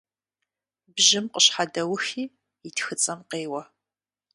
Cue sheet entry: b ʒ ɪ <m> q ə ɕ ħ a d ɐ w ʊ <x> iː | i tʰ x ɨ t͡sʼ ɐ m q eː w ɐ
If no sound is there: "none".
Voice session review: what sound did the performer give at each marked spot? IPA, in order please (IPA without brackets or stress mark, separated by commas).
m, x